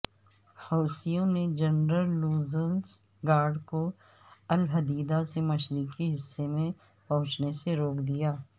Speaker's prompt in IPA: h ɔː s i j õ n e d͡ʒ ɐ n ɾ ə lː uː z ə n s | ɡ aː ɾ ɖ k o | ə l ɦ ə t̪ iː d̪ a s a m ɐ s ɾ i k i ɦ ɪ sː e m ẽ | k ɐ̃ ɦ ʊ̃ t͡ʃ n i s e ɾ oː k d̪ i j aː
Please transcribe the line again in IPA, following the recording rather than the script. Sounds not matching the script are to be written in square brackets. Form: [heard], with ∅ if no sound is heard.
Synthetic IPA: h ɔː s i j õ n e d͡ʒ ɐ n ɾ ə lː uː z ə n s | ɡ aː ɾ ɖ k o | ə l ɦ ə [d̪] iː d̪ a s [e] m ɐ [ʃ] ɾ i k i ɦ ɪ sː e m ẽ | [p] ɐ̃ ɦ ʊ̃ t͡ʃ n [e] s e ɾ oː k d̪ i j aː